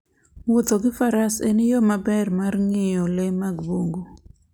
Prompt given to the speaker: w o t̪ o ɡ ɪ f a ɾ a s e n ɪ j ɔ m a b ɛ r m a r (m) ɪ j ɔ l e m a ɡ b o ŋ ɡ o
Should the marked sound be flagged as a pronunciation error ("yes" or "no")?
yes